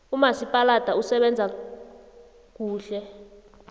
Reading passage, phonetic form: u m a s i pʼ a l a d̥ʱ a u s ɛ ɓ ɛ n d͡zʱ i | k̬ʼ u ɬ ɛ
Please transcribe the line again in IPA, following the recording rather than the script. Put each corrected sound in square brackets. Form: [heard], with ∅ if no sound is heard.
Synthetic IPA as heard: u m a s i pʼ a l a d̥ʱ a u s ɛ ɓ ɛ n d͡zʱ [a] | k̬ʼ [uː] ɬ ɛ